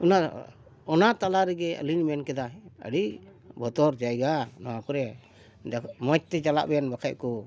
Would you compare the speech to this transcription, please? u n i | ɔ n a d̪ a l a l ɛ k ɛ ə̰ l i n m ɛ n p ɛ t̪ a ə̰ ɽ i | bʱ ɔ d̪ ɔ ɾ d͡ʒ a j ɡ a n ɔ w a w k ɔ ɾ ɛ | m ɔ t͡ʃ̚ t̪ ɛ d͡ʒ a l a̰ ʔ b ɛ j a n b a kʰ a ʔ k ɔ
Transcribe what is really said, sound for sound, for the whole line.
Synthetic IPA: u n a | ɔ n a t̪ a l a ɾ ɛ ɡ ɛ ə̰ l i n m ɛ n k ɛ d̪ a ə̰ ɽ i | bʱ ɔ t̪ ɔ ɾ d͡ʒ a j ɡ a n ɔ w a k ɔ ɾ ɛ | m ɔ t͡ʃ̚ t̪ ɛ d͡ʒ a l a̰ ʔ b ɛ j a n b a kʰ a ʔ k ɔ